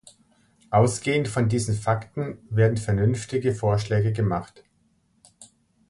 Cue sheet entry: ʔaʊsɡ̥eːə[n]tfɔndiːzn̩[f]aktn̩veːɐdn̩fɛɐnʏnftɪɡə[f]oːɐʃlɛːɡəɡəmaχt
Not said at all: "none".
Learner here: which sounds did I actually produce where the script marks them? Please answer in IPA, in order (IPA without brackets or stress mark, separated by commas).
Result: n, f, f